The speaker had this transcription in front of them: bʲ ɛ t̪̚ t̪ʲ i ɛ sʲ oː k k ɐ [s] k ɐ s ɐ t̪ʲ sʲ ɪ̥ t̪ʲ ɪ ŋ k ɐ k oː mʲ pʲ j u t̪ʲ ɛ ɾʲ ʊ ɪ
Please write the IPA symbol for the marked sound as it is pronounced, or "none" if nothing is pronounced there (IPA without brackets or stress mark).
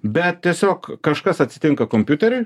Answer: ʃ